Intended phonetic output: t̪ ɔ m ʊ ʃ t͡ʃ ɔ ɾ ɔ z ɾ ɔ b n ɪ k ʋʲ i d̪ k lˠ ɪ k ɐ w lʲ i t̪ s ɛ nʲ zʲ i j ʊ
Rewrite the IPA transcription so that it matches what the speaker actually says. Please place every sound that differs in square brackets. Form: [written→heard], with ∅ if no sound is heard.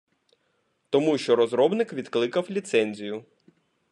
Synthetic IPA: t̪ ɔ m [ʊ→u] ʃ t͡ʃ ɔ ɾ ɔ z ɾ ɔ b n ɪ k ʋʲ i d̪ k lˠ ɪ k ɐ w lʲ i t̪ s ɛ nʲ zʲ i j ʊ